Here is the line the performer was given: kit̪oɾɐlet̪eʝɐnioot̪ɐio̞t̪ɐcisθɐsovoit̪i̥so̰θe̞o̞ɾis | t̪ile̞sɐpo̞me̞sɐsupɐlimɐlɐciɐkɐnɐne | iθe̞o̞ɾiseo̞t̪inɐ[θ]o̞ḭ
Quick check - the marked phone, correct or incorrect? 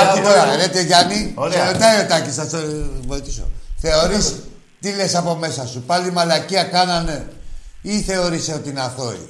correct